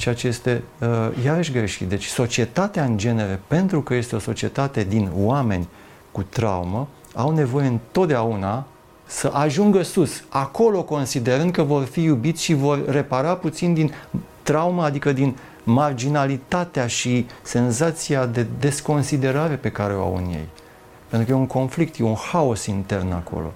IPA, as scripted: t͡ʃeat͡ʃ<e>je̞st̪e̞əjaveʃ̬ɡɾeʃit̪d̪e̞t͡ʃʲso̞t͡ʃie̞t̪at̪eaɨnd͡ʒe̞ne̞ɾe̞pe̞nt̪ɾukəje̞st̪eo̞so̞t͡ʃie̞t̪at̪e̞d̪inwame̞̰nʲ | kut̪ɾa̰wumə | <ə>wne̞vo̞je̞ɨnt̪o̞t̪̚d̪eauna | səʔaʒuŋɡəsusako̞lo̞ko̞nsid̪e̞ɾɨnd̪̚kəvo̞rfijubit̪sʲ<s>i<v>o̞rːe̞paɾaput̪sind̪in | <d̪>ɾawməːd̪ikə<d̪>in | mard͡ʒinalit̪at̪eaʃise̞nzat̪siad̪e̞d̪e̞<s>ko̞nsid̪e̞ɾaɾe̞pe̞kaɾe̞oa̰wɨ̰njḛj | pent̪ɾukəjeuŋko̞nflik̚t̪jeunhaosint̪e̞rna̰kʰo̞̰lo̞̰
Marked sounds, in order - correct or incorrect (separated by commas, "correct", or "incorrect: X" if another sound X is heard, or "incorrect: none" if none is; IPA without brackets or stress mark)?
correct, incorrect: a, incorrect: ʃ, correct, incorrect: t̪, correct, correct